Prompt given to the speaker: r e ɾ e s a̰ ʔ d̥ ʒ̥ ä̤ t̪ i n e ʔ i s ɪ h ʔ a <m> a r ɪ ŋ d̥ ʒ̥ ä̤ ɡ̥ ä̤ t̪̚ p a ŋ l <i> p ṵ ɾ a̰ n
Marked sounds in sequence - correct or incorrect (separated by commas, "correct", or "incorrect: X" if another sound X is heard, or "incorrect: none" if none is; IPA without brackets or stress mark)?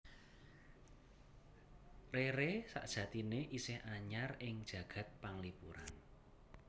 incorrect: ɲ, correct